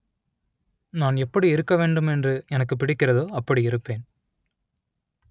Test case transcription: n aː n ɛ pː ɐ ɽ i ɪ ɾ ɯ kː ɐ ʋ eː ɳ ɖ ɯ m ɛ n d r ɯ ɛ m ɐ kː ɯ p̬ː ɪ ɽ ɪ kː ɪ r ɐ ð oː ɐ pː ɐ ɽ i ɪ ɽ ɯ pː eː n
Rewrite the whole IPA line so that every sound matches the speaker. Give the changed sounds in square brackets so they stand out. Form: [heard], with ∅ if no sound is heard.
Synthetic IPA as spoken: n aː n ɛ pː ɐ ɽ i ɪ ɾ ɯ kː ɐ ʋ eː ɳ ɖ ɯ m ɛ n d r ɯ ɛ [n] ɐ kː ɯ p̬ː ɪ ɽ ɪ kː ɪ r ɐ ð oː ɐ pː ɐ ɽ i ɪ [ɾ] ɯ pː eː n